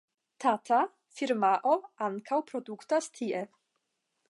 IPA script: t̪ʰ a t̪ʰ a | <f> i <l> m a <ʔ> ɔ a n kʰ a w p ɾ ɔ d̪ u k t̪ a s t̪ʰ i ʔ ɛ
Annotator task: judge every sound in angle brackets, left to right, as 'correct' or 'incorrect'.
correct, incorrect, correct

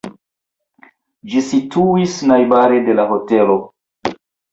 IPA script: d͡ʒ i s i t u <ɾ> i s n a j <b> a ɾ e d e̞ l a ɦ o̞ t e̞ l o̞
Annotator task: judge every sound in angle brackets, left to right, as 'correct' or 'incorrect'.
incorrect, correct

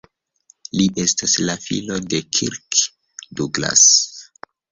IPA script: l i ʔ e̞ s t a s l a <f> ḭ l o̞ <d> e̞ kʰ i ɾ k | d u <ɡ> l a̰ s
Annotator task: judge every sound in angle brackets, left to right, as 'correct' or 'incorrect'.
correct, correct, correct

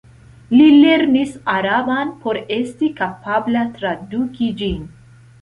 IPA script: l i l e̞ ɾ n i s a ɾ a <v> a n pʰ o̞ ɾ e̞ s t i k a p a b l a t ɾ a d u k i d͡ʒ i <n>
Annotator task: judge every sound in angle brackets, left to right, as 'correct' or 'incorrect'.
incorrect, correct

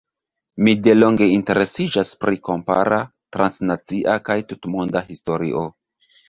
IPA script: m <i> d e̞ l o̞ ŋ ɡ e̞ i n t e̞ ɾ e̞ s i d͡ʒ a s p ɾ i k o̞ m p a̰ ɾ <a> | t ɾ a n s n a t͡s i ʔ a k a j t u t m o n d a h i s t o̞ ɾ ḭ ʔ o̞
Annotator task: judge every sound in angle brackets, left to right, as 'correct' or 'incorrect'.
correct, correct

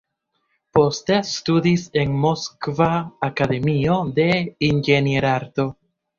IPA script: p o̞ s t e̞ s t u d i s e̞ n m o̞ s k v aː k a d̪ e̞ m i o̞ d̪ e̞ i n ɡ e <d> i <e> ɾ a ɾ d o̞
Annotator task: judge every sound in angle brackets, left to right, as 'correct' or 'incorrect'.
incorrect, correct

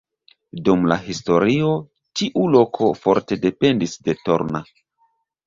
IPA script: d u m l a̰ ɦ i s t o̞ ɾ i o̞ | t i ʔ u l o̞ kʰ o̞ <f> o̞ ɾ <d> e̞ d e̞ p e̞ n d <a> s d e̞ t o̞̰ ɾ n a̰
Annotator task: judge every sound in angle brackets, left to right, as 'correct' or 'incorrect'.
correct, incorrect, incorrect

